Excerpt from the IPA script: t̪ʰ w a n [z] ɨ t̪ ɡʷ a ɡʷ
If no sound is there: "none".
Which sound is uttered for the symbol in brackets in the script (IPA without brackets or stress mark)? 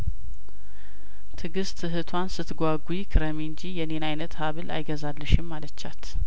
s